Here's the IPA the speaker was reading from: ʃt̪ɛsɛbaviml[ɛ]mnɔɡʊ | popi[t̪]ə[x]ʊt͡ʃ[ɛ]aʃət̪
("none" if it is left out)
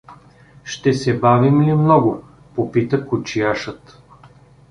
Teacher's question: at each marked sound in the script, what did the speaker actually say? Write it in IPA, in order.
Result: i, t̪, k, i

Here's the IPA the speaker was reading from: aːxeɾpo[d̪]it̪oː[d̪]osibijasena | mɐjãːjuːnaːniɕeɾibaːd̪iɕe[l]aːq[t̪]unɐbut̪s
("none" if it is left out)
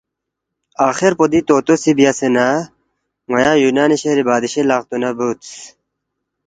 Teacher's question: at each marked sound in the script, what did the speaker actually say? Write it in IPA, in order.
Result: d̪, t̪, l, t̪

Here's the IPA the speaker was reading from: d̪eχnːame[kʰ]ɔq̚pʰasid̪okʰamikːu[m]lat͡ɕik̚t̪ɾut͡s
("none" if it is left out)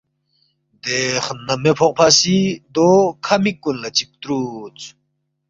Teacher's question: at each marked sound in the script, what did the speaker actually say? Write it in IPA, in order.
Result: pʰ, n

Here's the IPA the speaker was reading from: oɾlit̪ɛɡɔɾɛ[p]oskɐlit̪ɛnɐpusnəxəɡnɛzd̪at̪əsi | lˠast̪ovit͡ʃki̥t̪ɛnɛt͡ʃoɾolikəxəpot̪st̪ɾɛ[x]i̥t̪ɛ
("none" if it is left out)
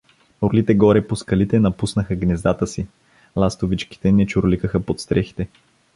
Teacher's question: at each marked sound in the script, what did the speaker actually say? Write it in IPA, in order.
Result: p, x

